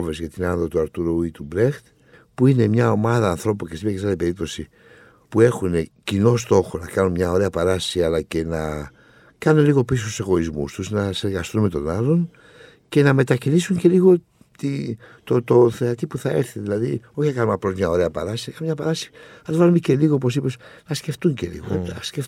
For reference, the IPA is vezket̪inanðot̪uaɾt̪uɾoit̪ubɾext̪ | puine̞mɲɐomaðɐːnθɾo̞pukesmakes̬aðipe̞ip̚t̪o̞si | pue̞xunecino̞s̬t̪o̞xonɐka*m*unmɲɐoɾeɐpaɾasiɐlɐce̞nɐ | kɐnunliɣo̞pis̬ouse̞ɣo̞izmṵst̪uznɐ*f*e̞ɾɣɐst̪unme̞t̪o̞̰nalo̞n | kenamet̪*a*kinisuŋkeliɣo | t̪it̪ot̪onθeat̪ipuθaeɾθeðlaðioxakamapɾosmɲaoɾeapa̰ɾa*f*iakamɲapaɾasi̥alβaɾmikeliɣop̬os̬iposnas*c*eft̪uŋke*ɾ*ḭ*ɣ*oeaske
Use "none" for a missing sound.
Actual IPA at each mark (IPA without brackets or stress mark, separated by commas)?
n, s, a, s, k, l, ɣ